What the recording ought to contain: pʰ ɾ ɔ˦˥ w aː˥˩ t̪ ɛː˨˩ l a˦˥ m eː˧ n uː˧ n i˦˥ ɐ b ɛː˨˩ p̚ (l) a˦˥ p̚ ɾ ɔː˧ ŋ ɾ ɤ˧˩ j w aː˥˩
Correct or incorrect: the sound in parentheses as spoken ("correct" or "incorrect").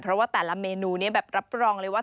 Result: incorrect